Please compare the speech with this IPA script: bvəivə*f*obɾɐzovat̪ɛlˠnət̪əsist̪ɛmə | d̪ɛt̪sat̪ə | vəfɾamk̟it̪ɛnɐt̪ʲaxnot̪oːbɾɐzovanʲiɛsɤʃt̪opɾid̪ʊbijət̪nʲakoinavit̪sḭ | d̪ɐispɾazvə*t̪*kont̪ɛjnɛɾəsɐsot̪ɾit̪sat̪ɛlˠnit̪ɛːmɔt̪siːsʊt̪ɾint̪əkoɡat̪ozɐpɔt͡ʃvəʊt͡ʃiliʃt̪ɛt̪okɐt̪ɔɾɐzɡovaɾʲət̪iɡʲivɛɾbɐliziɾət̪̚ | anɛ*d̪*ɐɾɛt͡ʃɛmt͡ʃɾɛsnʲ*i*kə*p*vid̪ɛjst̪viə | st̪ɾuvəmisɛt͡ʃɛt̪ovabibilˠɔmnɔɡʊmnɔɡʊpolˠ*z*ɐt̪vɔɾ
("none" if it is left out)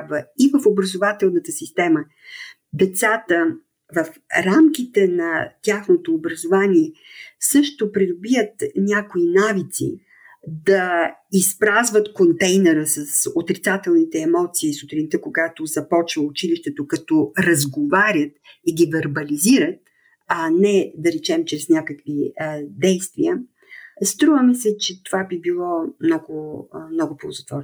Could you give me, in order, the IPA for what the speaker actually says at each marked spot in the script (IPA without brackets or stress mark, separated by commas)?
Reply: f, t̪, d̪, a, k, z